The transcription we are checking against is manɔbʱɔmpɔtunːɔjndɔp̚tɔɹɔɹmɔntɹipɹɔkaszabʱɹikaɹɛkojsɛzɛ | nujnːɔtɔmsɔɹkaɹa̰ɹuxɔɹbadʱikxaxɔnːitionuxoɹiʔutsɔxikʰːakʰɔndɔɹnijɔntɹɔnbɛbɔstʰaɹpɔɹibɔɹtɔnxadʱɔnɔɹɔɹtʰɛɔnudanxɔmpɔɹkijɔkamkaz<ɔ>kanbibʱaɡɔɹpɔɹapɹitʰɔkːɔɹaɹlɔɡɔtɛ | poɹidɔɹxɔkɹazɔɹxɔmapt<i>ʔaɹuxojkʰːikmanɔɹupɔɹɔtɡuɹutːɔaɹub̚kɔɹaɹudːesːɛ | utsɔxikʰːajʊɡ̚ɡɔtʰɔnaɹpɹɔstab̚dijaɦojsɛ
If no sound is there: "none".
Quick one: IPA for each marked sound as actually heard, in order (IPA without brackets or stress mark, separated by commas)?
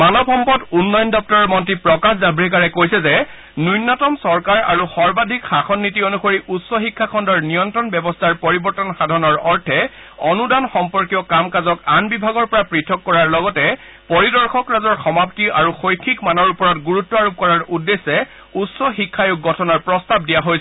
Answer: ɔ, i